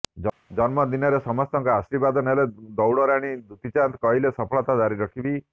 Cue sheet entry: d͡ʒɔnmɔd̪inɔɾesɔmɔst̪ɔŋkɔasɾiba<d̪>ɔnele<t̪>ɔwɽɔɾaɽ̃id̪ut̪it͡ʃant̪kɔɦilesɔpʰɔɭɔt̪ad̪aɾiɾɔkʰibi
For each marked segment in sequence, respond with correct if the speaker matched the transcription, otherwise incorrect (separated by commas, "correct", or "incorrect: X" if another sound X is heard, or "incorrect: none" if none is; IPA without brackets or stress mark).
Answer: correct, incorrect: d̪